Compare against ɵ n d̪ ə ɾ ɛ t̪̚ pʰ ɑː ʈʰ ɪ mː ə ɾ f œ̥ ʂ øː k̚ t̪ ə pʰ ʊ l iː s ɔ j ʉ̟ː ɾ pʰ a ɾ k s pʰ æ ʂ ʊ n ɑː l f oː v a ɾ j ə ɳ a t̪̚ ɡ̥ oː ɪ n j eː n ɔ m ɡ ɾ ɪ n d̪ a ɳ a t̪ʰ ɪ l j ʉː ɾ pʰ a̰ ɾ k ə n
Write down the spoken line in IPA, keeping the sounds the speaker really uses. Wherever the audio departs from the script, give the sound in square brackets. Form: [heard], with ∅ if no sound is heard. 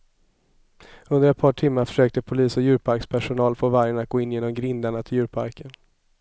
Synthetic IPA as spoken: ɵ n d̪ ə ɾ ɛ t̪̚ pʰ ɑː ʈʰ ɪ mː [a] ɾ f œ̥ ʂ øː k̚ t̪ ə pʰ ʊ l iː s ɔ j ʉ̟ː ɾ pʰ a ɾ k s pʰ æ ʂ ʊ n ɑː l f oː v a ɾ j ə ɳ a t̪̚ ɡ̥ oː ɪ n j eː n ɔ m ɡ ɾ ɪ n d̪ a ɳ a t̪ʰ ɪ l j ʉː ɾ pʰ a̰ ɾ k ə n